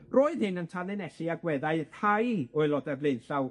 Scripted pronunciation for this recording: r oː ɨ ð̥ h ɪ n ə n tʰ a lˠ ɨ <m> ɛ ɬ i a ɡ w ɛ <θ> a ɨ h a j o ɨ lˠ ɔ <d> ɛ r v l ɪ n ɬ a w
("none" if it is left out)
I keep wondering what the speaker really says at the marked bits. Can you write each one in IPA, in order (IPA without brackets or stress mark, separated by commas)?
n, ð, d